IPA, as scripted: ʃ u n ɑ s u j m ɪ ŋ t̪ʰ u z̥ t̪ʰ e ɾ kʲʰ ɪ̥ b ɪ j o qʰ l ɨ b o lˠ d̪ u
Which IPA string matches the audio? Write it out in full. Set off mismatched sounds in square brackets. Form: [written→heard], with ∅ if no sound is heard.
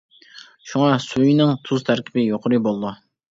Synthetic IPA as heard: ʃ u [n→ŋ] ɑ s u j [m→n] ɪ ŋ t̪ʰ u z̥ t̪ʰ [e→æ] ɾ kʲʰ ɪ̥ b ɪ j o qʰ [l→ɾ] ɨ b o lˠ d̪ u